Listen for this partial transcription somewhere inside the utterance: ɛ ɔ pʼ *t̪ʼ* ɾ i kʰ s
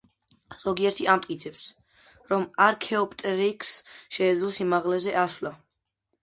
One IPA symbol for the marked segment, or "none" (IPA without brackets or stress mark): t̪ʼ